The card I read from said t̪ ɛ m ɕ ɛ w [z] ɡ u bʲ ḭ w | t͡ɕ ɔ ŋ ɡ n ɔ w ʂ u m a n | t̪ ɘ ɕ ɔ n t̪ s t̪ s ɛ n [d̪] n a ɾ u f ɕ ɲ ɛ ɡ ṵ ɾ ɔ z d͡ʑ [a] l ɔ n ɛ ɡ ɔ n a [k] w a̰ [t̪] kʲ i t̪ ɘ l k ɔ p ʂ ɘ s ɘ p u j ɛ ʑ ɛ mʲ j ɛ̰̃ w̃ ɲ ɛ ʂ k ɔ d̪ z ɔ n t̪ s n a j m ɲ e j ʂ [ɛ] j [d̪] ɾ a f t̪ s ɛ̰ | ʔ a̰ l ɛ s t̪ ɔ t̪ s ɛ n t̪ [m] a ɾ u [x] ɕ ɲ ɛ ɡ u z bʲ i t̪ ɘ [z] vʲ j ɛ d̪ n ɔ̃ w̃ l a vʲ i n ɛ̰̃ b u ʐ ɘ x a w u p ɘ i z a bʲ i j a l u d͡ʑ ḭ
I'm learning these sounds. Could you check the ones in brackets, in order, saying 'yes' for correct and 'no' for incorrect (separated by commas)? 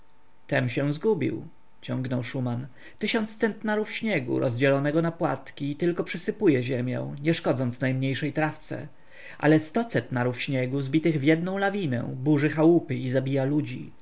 yes, no, no, no, yes, yes, no, no, no, no